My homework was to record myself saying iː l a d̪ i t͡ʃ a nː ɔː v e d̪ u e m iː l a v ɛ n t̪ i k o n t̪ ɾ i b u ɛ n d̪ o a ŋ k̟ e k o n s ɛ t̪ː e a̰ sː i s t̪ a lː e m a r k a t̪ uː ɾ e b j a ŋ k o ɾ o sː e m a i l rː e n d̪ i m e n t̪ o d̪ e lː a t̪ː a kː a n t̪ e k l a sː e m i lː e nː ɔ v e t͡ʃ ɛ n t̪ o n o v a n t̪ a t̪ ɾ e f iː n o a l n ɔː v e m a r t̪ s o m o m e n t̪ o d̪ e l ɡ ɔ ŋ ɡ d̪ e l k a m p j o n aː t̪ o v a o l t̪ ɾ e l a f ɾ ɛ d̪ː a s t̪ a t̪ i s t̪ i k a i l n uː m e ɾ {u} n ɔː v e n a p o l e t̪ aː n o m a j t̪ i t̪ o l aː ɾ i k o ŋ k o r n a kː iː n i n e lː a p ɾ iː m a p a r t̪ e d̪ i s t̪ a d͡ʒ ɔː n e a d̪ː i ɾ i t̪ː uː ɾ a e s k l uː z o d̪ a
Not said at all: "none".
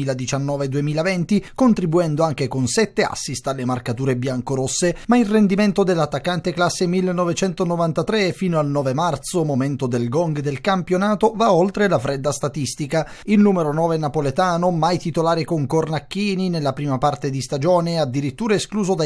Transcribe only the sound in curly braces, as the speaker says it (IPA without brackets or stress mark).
o